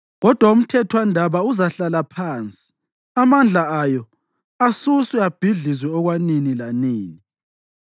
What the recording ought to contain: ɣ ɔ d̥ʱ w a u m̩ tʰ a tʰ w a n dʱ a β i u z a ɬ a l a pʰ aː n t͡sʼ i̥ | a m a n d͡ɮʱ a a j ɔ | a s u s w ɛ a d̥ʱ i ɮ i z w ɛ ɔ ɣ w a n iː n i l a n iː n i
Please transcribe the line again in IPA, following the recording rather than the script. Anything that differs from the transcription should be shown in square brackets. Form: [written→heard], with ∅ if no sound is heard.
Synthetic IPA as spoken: ɣ ɔ d̥ʱ w a u m̩ tʰ [a→ɛ] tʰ w a n dʱ a β [i→a] u z a ɬ a l a pʰ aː n t͡sʼ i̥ | a m a n d͡ɮʱ a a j ɔ | a s u s w ɛ a [d̥ʱ→b̥ʱ] i ɮ i z w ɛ ɔ ɣ w a n [iː→i] n i l a n iː n i

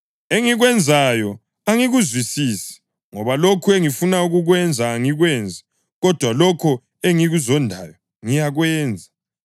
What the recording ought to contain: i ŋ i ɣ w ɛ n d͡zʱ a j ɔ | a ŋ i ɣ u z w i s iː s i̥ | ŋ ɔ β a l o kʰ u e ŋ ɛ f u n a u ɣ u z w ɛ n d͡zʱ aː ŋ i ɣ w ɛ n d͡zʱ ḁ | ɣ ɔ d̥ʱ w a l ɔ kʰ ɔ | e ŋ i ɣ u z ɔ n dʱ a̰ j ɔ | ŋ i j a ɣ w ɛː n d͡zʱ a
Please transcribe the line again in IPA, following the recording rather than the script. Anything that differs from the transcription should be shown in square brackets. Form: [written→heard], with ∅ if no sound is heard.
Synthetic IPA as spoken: [i→e] ŋ i ɣ w ɛ n d͡zʱ a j ɔ | a ŋ i ɣ u z w i s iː s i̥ | ŋ ɔ β a l o kʰ u e ŋ [ɛ→i] f u n a u ɣ u [z→ɣ] w ɛ n d͡zʱ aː ŋ i ɣ w ɛ n d͡zʱ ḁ | ɣ ɔ d̥ʱ w a l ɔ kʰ ɔ | e ŋ i ɣ u z ɔ n dʱ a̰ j ɔ | ŋ i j a ɣ w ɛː n d͡zʱ a

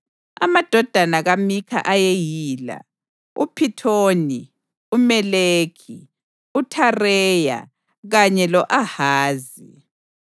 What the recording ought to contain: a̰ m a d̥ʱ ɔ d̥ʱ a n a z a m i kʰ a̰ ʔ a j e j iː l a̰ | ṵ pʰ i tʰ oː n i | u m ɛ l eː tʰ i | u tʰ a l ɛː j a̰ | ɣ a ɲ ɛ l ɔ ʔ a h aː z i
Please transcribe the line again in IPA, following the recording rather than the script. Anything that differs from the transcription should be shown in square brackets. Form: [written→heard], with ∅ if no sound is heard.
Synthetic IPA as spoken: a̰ m a d̥ʱ ɔ d̥ʱ a n a [z→ɣ] a m i kʰ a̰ ʔ a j e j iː l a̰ | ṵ pʰ i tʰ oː n i | u m ɛ l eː [tʰ→kʰ] i | u tʰ a [l→r] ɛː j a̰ | ɣ a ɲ ɛ l ɔ ʔ a h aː z i

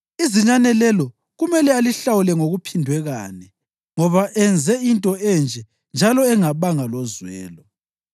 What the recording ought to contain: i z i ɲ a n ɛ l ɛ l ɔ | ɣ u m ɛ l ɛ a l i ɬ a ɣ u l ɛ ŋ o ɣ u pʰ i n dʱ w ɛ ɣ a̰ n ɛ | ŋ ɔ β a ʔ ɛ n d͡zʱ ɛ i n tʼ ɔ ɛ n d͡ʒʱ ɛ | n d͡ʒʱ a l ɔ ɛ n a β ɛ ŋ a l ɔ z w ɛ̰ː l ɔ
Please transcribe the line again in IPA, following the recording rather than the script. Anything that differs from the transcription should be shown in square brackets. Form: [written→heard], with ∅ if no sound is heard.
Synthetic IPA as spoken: i z i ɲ a n ɛ l ɛ l ɔ | ɣ u m ɛ l ɛ a l i ɬ a [ɣ→w] u l ɛ ŋ o ɣ u pʰ i n dʱ w ɛ ɣ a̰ n ɛ | ŋ ɔ β a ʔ ɛ n d͡zʱ ɛ i n tʼ ɔ ɛ n d͡ʒʱ ɛ | n d͡ʒʱ a l ɔ ɛ [n→ŋ] a β [ɛ→a] ŋ a l ɔ z w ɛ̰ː l ɔ

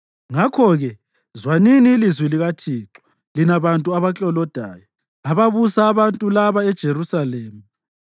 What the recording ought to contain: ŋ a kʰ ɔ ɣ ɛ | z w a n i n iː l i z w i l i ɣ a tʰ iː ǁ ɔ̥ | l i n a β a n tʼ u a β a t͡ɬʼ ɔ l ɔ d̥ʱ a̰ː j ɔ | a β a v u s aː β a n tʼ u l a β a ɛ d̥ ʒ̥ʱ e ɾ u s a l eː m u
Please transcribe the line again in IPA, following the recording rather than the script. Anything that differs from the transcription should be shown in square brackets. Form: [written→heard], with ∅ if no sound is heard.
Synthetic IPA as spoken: ŋ a kʰ ɔ ɣ ɛ | z w a n i n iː l i z w i l i ɣ a tʰ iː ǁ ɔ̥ | l i n a β a n tʼ u a β a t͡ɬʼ ɔ l ɔ d̥ʱ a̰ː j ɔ | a β a [v→β] u s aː β a n tʼ u l a β a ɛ d̥ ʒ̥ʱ e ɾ u s a l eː m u

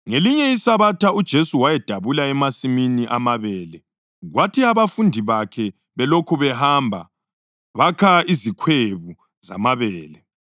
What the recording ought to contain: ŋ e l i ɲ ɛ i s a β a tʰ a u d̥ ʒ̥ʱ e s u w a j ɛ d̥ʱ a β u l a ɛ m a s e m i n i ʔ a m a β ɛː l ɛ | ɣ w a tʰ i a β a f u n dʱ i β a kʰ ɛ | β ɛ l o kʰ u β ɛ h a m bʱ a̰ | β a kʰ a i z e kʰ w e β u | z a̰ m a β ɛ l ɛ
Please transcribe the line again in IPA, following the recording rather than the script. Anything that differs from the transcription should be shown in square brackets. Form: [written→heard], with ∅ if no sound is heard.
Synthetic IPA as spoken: ŋ e l i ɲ ɛ i s a β a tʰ a u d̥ ʒ̥ʱ e s u w a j ɛ d̥ʱ a β u l a ɛ m a s [e→i] m i n i ʔ a m a β ɛː l ɛ | ɣ w a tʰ i a β a f u n dʱ i β a kʰ ɛ | β ɛ l o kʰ u β ɛ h a m bʱ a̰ | β a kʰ a i z [e→i] kʰ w e β u | z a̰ m a β [ɛ→ɛː] l ɛ

